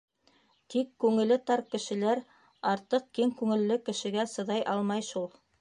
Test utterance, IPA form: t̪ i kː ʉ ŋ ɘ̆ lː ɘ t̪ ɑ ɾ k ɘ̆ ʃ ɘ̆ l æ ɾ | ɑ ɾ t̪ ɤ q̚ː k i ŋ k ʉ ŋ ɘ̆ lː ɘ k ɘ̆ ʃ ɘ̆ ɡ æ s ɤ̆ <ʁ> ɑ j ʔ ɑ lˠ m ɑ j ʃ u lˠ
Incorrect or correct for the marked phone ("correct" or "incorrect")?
incorrect